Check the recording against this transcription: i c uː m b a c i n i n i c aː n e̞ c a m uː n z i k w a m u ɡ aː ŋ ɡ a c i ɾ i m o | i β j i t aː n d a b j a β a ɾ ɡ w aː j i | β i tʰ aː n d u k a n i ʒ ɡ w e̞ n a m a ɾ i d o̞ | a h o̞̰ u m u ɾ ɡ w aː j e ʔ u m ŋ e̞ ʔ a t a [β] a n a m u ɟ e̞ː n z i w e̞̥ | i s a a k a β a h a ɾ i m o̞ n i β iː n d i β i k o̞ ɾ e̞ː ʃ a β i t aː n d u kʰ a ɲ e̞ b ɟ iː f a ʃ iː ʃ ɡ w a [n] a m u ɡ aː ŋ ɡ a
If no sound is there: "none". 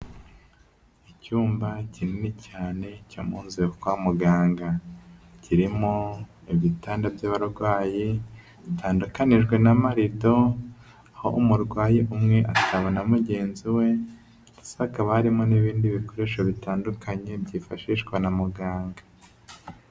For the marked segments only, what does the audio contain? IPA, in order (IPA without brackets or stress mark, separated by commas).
β, n